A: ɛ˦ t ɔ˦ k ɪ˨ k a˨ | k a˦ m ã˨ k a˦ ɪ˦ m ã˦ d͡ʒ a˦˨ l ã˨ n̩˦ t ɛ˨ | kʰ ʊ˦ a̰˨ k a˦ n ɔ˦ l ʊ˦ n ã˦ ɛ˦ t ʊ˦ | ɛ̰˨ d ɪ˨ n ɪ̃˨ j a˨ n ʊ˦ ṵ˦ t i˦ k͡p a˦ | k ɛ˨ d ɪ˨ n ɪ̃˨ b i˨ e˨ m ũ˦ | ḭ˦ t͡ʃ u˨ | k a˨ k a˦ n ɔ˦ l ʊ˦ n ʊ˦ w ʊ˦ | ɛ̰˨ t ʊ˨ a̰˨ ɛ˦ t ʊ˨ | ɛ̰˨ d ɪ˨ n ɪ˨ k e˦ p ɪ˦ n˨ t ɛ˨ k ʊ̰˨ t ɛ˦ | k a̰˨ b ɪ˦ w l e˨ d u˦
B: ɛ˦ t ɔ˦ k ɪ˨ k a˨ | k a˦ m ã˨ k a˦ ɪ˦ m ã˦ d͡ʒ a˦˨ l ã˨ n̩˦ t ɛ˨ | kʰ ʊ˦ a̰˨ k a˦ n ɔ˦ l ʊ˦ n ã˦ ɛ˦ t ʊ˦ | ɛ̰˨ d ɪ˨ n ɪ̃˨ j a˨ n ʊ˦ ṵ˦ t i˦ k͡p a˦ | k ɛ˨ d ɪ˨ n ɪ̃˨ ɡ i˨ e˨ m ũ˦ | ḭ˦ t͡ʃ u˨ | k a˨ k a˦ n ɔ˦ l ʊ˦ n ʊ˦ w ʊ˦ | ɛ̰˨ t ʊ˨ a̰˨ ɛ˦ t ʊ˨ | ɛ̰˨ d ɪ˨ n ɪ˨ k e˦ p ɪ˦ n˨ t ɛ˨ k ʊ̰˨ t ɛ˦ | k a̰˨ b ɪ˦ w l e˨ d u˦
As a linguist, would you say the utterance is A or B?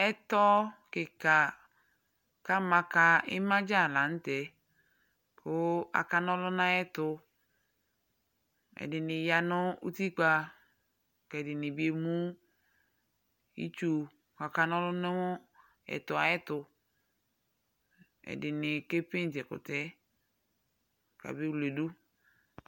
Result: A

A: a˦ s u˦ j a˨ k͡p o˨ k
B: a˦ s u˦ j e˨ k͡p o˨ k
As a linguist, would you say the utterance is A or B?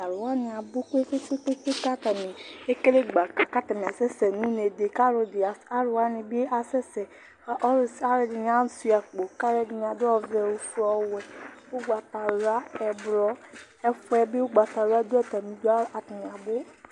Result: A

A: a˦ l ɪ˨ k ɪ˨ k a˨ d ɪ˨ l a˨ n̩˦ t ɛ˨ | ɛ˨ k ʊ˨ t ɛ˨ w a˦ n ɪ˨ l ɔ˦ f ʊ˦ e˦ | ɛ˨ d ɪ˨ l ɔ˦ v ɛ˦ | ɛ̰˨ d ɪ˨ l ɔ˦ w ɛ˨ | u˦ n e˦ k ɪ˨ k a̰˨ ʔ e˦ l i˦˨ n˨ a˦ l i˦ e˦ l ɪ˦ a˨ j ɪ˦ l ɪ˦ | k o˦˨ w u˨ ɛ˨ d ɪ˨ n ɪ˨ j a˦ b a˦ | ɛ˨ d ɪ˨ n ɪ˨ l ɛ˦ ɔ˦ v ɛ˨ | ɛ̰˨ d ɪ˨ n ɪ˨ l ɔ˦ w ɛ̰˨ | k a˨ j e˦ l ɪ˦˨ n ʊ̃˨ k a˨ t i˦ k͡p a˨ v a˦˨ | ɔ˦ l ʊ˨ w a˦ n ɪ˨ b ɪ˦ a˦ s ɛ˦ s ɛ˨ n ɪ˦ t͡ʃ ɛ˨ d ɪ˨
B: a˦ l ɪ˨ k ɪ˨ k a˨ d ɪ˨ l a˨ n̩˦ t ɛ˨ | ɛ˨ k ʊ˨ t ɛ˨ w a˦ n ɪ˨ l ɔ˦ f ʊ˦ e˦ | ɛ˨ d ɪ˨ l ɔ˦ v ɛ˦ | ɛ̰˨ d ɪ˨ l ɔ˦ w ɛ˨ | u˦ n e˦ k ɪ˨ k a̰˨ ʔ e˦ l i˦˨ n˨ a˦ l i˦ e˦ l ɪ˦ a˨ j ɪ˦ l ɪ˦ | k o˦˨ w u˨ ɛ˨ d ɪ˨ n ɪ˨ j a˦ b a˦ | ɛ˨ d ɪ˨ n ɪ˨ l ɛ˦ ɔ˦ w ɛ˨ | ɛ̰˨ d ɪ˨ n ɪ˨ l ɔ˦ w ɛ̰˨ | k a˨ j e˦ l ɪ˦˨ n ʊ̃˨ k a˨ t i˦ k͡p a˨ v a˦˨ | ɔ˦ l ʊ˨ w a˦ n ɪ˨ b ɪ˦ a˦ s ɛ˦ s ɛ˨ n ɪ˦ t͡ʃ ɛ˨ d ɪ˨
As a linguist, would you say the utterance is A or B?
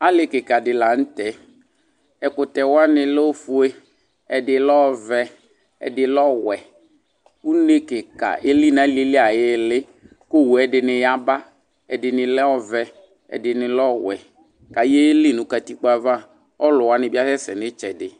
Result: A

